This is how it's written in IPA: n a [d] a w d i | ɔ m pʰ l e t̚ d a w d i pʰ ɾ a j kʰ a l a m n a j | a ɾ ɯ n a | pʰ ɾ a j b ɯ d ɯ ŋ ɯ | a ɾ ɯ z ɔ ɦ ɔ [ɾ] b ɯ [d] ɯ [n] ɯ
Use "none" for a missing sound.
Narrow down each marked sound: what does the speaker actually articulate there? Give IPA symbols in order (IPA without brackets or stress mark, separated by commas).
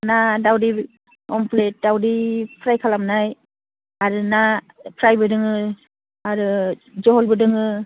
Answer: d, l, d, ŋ